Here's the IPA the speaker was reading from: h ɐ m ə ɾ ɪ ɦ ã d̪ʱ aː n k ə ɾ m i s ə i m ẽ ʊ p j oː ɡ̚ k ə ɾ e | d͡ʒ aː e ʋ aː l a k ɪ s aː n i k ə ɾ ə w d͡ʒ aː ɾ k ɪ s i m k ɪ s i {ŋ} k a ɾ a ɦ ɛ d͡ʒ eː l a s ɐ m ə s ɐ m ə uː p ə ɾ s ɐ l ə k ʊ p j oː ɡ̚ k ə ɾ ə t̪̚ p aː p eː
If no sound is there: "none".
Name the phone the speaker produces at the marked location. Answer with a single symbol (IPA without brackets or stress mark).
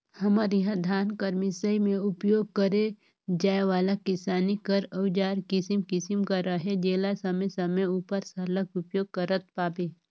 m